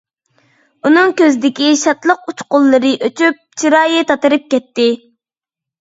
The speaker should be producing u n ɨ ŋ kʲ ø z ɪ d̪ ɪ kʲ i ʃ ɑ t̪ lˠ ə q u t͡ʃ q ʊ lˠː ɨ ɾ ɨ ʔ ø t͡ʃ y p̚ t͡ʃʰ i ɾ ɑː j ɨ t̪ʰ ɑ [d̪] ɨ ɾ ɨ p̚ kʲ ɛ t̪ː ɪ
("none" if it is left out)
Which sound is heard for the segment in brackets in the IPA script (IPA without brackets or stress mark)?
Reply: t̪